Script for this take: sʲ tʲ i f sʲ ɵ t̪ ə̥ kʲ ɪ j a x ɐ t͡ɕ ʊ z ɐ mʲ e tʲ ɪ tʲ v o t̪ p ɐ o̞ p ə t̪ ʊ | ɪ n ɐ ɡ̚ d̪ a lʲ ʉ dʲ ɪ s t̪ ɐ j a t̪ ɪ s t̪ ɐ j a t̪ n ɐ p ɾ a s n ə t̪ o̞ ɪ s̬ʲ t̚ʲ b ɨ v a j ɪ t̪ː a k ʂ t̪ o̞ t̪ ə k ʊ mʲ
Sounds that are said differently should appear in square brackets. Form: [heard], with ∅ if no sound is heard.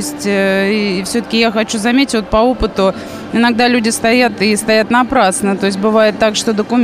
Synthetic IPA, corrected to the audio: sʲ tʲ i f sʲ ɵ t̪ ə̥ kʲ ɪ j a x ɐ t͡ɕ [u] z ɐ mʲ e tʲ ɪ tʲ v o t̪ p ɐ o̞ p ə t̪ ʊ | ɪ n ɐ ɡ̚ d̪ a lʲ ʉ dʲ ɪ s t̪ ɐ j a t̪ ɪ s t̪ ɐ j a t̪ n ɐ p ɾ a s n ə t̪ o̞ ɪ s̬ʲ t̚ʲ b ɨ v a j ɪ t̪ː a k ʂ t̪ o̞ [d̪] ə k ʊ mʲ